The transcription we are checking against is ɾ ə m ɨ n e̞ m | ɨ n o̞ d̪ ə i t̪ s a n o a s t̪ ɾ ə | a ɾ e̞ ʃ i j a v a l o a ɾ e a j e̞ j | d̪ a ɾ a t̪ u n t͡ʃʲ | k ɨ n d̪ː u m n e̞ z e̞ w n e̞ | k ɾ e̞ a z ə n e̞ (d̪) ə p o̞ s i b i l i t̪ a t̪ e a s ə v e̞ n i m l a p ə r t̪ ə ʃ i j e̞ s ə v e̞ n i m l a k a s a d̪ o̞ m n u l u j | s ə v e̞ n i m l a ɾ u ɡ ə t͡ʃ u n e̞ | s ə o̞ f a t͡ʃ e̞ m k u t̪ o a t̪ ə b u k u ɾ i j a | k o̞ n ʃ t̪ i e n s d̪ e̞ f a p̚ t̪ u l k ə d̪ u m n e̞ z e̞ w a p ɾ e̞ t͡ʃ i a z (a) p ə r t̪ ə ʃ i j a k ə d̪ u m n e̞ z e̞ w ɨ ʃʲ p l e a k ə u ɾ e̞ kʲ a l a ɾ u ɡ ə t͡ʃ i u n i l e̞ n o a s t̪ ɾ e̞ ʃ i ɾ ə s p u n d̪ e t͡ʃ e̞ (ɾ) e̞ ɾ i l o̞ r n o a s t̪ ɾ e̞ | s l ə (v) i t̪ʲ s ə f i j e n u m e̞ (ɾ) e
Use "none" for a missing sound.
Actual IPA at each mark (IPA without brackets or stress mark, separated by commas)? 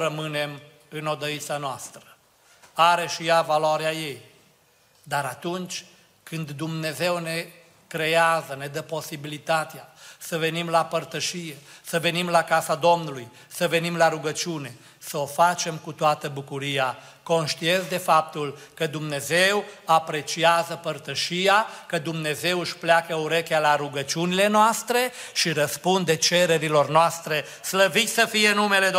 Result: d̪, ə, ɾ, v, l